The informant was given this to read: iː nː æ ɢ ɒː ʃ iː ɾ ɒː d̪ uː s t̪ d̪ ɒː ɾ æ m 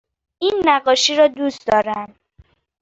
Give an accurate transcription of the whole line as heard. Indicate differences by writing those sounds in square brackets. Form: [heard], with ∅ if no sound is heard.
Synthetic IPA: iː nː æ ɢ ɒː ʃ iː ɾ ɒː d̪ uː s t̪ d̪ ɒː ɾ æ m